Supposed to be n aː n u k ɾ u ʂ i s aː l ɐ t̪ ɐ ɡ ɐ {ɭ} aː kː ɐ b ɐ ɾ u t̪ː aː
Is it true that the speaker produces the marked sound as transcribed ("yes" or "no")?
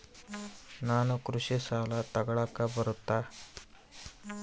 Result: yes